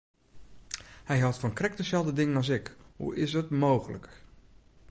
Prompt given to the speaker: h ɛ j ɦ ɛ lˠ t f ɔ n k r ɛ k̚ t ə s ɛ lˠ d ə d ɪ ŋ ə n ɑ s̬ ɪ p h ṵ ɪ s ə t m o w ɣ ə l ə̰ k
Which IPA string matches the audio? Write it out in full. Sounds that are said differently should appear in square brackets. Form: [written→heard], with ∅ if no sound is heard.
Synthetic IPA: h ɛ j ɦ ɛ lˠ t f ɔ n k r ɛ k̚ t ə s ɛ lˠ d ə d ɪ ŋ ə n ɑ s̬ ɪ [p→k] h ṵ ɪ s ə t m o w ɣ ə l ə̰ k

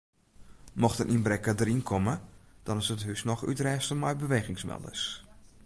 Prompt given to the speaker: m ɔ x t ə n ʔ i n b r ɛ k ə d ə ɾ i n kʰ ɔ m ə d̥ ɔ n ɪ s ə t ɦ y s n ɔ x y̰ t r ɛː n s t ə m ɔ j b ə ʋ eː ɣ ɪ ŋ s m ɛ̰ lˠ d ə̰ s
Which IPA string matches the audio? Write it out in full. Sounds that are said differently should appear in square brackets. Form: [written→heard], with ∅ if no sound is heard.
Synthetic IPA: m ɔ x t ə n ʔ i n b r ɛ k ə d ə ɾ i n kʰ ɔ m ə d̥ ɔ n ɪ s ə t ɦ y s n ɔ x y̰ t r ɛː [n→∅] s t ə m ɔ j b ə ʋ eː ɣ ɪ ŋ s m ɛ̰ lˠ d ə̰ s

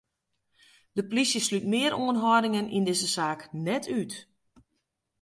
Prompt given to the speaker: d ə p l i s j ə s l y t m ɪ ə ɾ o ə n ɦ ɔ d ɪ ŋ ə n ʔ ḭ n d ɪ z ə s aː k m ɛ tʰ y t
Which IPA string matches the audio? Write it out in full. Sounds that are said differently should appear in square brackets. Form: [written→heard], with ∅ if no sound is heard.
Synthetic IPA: d ə p l i s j ə s l y t m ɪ ə ɾ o ə n ɦ ɔ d ɪ ŋ ə n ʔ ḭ n d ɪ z ə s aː k [m→n] ɛ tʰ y t

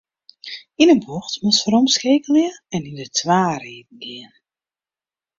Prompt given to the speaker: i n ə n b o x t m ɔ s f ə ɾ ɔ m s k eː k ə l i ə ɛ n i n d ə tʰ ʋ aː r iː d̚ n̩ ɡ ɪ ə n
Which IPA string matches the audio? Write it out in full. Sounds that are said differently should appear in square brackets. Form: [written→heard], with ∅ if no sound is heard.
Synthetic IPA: i n ə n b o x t m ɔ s f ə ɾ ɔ m s k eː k ə l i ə ɛ n i n d ə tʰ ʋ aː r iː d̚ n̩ ɡ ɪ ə n

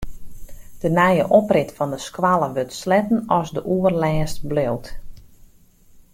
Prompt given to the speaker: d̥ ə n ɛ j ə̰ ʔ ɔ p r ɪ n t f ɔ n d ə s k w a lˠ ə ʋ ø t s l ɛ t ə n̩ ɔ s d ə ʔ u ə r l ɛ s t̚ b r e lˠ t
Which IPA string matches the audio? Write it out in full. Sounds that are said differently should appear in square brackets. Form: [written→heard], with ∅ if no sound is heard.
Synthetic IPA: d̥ ə n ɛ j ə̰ ʔ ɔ p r ɪ [n→∅] t f ɔ n d ə s k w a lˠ ə ʋ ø t s l ɛ t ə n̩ ɔ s d ə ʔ u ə r l [ɛ→ɛː] s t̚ b [r→l] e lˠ t

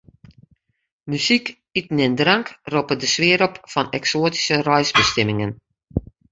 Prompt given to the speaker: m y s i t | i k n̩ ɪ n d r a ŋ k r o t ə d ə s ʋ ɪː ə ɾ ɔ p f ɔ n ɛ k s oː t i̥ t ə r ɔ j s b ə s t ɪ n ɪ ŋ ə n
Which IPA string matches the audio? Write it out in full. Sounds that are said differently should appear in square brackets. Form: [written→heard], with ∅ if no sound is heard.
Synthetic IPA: m y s i [t→k] | i [k→t] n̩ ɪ n d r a ŋ k r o [t→p] ə d ə s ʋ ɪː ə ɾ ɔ p f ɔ n ɛ k s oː t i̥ [t→s] ə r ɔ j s b ə s t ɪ [n→m] ɪ ŋ ə n

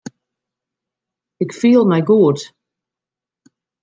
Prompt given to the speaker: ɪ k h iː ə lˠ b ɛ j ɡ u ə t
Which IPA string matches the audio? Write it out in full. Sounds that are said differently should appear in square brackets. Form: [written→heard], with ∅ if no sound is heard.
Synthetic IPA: ɪ k [h→f] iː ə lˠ [b→m] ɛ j ɡ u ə t

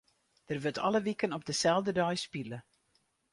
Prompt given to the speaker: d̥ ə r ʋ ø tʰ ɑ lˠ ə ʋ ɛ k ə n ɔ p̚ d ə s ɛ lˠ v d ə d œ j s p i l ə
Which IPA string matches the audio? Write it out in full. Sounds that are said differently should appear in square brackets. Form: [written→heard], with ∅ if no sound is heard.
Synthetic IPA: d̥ ə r ʋ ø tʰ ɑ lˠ ə ʋ [ɛ→i] k ə n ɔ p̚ d ə s ɛ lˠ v d ə d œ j s p i l ə

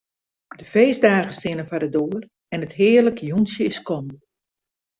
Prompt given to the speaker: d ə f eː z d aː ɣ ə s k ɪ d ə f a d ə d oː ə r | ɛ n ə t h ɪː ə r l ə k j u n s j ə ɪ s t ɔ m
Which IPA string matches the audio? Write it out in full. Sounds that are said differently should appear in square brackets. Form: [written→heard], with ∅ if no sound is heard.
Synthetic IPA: d ə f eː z d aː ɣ ə s [k→t] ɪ [d→n] ə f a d ə d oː ə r | ɛ n ə t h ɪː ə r l ə k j u n s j ə ɪ s [t→k] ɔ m

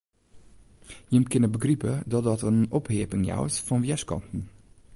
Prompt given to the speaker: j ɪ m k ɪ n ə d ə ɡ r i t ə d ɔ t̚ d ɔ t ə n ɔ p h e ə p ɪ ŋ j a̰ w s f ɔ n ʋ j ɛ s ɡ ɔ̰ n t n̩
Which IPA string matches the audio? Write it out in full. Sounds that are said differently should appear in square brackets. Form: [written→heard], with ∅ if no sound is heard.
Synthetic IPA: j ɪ m k ɪ n ə [d→b] ə ɡ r i [t→p] ə d ɔ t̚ d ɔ t ə n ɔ p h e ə p ɪ ŋ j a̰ w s f ɔ n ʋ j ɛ s [ɡ→k] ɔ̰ n t n̩

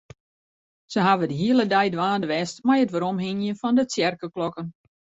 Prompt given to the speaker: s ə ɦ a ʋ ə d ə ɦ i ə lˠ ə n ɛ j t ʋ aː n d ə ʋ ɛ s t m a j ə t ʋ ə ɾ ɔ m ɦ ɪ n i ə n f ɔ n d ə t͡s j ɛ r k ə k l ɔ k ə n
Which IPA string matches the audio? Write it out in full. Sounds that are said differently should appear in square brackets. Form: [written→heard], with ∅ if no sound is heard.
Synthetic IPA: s ə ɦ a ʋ ə d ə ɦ i ə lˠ ə [n→d] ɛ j [t→d] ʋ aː n d ə ʋ ɛ s t m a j ə t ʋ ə ɾ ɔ m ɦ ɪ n [i→j] ə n f ɔ n d ə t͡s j ɛ r k ə k l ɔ k ə n

